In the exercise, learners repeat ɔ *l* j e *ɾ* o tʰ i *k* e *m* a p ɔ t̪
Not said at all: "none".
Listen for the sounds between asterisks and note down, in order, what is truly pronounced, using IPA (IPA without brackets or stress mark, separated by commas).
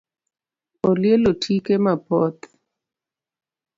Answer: l, l, k, m